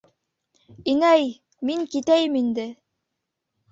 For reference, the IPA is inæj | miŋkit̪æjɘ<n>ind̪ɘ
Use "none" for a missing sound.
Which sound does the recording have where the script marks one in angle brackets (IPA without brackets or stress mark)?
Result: m